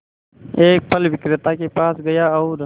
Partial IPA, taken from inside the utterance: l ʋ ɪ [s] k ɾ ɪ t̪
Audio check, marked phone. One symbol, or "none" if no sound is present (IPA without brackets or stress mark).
none